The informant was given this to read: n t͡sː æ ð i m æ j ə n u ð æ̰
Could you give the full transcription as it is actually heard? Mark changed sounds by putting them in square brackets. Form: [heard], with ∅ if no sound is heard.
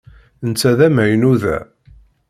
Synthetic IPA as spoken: n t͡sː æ ð [æ] m æ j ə n u ð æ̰